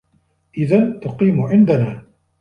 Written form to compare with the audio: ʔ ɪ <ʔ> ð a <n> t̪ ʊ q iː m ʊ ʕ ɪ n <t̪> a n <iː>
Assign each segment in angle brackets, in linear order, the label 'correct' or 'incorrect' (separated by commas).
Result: incorrect, correct, incorrect, incorrect